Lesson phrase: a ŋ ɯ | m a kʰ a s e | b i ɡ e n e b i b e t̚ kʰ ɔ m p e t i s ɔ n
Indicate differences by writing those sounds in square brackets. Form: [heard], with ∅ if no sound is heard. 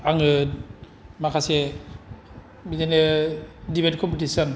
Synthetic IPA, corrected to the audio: a ŋ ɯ | m a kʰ a s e | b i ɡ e n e [d] i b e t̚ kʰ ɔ m p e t i s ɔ n

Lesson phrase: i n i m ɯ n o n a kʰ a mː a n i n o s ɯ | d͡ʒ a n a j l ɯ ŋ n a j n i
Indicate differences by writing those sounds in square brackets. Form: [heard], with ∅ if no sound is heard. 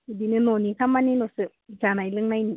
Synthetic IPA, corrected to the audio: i [d] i [n] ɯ n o n [i] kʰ a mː a n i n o s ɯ | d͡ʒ a n a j l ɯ ŋ n a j n i

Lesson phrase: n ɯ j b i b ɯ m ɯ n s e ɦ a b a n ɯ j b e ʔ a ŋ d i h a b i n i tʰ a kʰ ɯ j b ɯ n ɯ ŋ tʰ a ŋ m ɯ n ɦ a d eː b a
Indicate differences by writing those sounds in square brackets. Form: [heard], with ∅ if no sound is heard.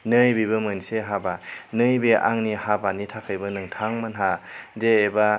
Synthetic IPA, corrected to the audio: n ɯ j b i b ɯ m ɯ n s e ɦ a b a n ɯ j b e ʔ a ŋ [n] i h a b [a] n i tʰ a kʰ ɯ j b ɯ n ɯ ŋ tʰ a ŋ m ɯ n ɦ a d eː b a

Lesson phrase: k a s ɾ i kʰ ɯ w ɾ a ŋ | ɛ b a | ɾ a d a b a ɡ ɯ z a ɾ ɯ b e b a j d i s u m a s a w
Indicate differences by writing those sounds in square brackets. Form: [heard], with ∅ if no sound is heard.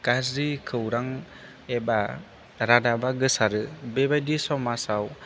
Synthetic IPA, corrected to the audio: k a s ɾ i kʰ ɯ w ɾ a ŋ | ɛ b a | ɾ a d a b a ɡ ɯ [s] a ɾ ɯ b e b a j d i s [ɔ] m a s a w

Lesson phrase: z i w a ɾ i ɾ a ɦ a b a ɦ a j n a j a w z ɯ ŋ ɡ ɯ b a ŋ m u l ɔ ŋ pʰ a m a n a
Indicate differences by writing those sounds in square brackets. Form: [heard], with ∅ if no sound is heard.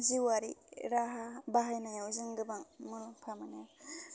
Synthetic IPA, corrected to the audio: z i w a ɾ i ɾ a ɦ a b a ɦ a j n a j a w z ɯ ŋ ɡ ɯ b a ŋ m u l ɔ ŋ pʰ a m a n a

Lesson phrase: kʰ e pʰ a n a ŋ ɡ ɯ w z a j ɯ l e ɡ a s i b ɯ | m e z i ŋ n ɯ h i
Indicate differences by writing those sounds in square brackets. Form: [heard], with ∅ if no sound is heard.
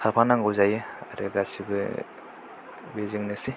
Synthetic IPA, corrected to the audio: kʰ [a] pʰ a n a ŋ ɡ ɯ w z a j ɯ [ɾ] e ɡ a s i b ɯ | [b] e z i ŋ n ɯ [s] i

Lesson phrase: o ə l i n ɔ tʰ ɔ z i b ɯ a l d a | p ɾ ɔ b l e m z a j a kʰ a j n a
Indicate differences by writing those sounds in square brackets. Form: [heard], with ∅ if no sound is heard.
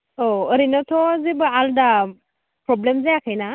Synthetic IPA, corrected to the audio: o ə [ɾ] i n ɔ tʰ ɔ z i b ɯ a l d a | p ɾ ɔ b l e m z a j a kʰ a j n a

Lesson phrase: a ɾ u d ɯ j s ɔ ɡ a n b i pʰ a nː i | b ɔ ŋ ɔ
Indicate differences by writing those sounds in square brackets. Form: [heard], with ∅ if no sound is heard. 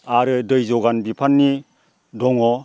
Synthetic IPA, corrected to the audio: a ɾ [ɯ] d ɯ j [z] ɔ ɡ a n b i pʰ a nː i | [d] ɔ ŋ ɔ

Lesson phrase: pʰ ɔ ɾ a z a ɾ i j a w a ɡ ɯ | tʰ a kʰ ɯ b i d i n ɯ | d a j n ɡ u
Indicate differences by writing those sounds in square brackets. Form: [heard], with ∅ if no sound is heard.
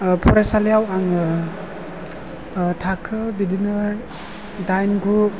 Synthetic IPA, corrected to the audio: pʰ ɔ ɾ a [s] a [l] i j a w a [ŋ] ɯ | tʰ a kʰ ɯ b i d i n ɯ | d a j n ɡ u

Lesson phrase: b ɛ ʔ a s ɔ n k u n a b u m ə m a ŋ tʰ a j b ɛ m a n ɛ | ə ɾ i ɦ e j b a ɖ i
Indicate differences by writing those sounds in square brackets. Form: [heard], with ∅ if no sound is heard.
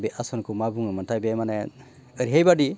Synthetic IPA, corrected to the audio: b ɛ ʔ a s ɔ n k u [m] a b u [ŋ] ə m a [n] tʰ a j b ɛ m a n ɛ | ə ɾ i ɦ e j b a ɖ i

